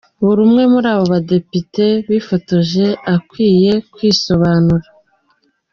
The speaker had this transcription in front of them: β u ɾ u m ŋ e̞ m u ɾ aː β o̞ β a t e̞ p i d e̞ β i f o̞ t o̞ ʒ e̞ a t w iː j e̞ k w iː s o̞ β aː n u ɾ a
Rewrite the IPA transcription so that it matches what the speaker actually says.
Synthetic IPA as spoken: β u ɾ u m ŋ e̞ m u ɾ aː β o̞ β a d e̞ p i t e̞ β i f o̞ t o̞ ʒ e̞ a k w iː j e̞ k w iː s o̞ β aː n u ɾ a